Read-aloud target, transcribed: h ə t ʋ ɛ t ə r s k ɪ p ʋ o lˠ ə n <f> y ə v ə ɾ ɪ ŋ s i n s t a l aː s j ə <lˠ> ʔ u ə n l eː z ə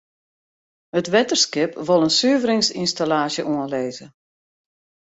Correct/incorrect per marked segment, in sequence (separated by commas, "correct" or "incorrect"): incorrect, incorrect